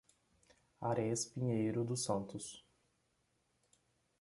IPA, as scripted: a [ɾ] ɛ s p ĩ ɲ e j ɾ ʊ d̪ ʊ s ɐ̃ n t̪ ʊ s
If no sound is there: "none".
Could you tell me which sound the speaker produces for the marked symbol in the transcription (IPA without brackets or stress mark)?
ɾ